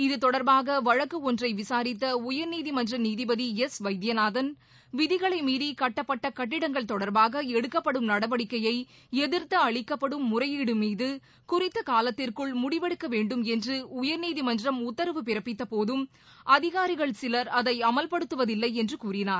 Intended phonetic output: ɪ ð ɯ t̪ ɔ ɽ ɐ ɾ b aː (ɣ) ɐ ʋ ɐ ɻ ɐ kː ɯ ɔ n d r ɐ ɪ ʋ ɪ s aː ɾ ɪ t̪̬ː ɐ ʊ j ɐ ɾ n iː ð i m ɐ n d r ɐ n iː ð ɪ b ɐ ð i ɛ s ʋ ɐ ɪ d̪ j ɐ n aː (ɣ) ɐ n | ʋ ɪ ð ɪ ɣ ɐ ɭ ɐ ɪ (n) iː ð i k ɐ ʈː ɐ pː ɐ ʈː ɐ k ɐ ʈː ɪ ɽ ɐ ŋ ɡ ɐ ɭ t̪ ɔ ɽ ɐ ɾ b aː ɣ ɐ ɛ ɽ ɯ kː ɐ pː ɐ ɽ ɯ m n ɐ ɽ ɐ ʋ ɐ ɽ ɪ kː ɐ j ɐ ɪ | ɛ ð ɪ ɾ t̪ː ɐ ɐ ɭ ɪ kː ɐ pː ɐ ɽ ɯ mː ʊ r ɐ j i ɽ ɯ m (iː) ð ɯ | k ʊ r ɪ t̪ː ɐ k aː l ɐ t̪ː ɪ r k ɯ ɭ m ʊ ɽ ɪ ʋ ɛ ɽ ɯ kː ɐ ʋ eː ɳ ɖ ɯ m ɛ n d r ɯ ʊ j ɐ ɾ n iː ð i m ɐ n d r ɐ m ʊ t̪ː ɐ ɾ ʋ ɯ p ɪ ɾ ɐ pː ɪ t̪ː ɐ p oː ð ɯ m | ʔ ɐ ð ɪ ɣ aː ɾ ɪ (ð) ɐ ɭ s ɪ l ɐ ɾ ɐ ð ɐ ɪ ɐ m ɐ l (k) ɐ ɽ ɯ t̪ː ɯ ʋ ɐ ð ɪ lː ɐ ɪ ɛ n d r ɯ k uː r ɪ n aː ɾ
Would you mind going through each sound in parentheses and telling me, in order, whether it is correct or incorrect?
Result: correct, incorrect: ð, incorrect: m, correct, incorrect: ɣ, incorrect: p

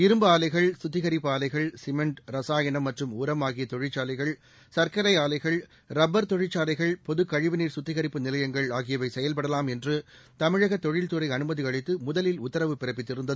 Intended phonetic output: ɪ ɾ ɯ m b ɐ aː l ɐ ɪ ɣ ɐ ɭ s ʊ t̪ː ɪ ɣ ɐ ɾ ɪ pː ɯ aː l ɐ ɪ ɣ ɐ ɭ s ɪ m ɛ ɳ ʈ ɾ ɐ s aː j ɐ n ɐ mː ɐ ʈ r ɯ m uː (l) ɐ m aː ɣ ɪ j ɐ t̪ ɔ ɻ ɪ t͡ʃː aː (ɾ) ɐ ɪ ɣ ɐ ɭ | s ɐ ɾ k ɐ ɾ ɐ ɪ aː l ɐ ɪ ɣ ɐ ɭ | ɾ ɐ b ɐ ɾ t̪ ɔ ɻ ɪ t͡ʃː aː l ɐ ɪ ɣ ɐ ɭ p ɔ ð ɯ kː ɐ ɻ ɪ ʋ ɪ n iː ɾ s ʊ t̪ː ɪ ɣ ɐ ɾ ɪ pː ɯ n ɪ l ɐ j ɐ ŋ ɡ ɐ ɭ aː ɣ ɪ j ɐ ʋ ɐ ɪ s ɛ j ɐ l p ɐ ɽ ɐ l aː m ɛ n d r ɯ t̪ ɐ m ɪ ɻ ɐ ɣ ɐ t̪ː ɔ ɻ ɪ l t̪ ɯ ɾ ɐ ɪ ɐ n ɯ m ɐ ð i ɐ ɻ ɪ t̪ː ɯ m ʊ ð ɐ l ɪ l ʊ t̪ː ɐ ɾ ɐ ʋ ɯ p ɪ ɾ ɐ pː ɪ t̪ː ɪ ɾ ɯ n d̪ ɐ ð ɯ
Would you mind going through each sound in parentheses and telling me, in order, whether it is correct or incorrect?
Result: incorrect: ɾ, incorrect: l

